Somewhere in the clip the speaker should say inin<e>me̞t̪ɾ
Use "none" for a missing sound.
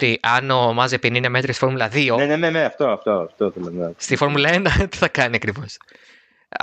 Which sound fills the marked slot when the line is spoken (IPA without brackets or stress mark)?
e